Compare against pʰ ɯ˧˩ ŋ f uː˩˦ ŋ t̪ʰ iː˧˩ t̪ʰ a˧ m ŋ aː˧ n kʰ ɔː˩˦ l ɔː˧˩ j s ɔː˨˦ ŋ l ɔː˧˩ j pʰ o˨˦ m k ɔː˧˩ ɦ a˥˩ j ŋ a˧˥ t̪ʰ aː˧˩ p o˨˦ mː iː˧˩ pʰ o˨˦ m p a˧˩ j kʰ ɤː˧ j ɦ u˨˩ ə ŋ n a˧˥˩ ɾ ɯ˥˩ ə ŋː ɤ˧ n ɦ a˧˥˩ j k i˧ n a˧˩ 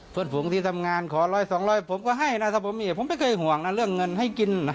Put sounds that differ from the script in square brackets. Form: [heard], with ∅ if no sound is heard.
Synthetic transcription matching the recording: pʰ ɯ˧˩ [n] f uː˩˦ ŋ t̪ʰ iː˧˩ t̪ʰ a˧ m ŋ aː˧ n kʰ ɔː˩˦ l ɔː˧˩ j s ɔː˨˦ ŋ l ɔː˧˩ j pʰ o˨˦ m k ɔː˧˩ ɦ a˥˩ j [n] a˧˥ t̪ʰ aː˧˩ p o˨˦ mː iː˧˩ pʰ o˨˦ m p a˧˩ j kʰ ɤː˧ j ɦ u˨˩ ə ŋ n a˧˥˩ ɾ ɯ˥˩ ə ŋː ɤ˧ n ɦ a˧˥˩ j k i˧ n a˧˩